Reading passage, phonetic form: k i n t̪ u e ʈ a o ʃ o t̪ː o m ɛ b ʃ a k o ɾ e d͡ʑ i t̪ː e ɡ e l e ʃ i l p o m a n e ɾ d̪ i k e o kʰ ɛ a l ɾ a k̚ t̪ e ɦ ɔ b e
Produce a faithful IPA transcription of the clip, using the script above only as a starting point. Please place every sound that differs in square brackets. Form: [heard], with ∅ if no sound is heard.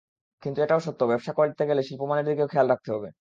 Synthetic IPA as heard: k i n t̪ u e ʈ a o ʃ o t̪ː o [b] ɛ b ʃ a k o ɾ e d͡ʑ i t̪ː e ɡ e l e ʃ i l p o m a n e ɾ d̪ i k e o kʰ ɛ a l ɾ a k̚ t̪ e ɦ ɔ b e